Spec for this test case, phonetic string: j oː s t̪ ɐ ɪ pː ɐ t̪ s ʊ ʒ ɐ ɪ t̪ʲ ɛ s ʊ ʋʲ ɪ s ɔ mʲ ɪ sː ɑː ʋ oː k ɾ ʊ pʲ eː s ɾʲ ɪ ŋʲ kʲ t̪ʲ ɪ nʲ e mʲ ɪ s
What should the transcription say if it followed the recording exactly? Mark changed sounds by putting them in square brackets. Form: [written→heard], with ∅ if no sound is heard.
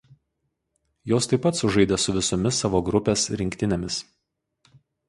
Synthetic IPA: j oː s t̪ ɐ ɪ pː ɐ t̪ s ʊ ʒ ɐ ɪ [t̪ʲ→d̪ʲ] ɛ s ʊ ʋʲ ɪ s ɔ mʲ ɪ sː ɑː ʋ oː [k→ɡ] ɾ ʊ pʲ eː s ɾʲ ɪ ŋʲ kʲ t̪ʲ ɪ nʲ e mʲ ɪ s